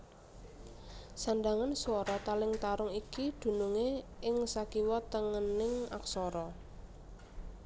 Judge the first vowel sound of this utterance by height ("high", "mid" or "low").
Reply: low